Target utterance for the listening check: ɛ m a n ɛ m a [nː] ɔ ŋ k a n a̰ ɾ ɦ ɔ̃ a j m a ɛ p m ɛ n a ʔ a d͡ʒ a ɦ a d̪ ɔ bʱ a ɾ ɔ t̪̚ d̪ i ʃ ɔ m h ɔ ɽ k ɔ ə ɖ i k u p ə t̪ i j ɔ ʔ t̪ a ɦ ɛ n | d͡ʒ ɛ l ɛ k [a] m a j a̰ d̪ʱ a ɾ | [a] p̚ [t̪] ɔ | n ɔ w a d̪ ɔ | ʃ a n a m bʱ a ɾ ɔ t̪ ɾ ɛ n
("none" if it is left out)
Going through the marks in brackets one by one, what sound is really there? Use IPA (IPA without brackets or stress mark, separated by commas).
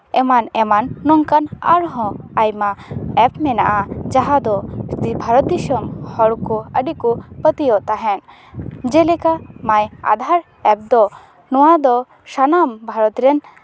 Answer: nː, a, ɛ, d̪